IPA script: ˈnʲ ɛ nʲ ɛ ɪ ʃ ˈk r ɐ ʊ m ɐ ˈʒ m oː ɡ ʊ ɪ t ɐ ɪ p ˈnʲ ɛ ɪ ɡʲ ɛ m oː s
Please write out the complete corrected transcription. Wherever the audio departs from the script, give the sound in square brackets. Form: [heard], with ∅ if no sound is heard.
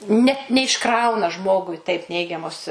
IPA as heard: ˈnʲ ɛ nʲ ɛ ɪ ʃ ˈk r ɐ ʊ [n] ɐ ˈʒ m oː ɡ ʊ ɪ t ɐ ɪ p ˈnʲ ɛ ɪ ɡʲ ɛ m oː s